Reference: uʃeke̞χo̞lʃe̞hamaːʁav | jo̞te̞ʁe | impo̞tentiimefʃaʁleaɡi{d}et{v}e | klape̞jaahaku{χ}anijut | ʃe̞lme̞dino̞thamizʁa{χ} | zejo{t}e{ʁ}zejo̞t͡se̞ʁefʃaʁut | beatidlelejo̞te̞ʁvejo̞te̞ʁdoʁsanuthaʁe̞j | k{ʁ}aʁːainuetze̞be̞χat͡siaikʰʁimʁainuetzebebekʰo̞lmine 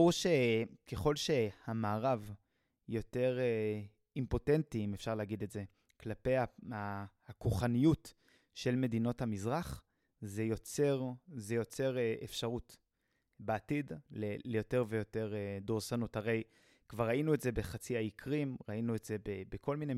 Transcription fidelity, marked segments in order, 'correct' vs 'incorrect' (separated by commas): correct, incorrect, correct, correct, incorrect, correct, incorrect